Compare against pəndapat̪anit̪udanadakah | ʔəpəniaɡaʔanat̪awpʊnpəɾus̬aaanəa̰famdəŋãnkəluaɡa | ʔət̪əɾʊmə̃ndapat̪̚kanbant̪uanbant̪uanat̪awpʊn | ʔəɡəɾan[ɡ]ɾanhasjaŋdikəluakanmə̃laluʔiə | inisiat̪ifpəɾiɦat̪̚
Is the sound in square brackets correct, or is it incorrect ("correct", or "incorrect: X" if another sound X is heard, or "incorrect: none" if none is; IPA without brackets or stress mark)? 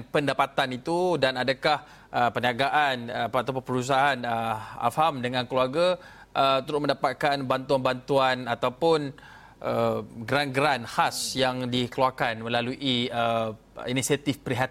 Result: correct